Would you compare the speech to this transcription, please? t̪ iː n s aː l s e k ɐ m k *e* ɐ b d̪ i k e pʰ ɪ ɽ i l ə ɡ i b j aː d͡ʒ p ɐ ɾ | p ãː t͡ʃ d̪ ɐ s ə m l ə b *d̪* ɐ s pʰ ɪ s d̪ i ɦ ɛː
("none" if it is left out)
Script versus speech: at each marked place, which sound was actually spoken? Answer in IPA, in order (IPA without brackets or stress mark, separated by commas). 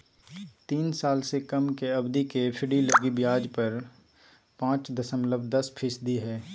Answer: e, d̪